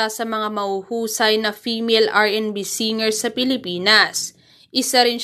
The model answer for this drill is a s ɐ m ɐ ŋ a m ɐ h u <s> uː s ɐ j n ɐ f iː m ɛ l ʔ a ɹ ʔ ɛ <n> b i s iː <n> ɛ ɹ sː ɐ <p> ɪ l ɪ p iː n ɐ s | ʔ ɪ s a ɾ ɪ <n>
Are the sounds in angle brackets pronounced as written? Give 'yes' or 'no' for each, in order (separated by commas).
no, yes, no, yes, yes